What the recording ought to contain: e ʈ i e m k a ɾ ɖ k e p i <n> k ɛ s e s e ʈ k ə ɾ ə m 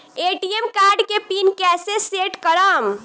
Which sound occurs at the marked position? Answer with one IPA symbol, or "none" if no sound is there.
n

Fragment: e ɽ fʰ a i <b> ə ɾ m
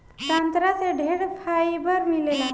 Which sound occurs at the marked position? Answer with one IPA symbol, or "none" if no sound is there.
b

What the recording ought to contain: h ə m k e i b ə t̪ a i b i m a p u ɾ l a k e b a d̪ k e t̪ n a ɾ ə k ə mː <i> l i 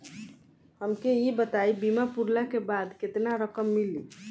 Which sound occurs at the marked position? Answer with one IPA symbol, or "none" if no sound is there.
i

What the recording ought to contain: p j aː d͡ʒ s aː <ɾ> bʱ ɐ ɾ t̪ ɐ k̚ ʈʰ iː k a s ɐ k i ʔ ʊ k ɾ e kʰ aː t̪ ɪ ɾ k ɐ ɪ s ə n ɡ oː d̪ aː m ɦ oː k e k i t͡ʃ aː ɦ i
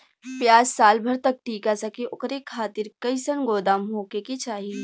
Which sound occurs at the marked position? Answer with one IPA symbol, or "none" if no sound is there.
l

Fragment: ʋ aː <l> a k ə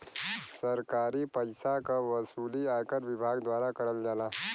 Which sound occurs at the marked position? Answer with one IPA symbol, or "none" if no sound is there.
ɾ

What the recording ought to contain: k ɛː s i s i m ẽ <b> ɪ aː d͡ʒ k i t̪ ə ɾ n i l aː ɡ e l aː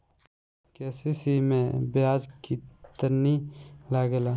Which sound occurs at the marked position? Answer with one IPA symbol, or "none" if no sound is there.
b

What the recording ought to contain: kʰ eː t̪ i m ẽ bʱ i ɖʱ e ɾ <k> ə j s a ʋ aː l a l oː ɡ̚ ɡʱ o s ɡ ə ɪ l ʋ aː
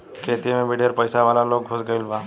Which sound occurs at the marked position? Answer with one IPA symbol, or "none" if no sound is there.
p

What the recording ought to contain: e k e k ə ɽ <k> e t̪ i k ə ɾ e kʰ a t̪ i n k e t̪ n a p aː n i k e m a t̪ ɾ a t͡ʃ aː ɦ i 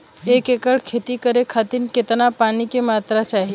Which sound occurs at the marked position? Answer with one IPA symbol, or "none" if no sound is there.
kʰ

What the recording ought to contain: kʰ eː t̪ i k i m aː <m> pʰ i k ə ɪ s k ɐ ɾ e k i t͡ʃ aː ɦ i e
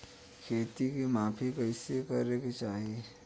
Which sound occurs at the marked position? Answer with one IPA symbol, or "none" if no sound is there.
none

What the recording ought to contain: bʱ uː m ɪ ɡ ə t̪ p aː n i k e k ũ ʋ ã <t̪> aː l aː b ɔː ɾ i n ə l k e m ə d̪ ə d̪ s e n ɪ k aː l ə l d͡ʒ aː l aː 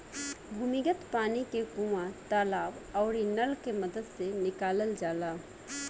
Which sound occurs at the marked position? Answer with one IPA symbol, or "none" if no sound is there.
t̪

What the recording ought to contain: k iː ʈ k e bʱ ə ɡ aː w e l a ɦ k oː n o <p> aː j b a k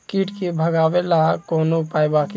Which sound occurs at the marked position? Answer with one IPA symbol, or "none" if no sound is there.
p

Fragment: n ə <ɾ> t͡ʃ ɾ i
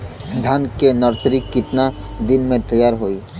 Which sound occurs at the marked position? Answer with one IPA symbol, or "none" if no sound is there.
ɾ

